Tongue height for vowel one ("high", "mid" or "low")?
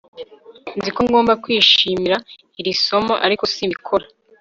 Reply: high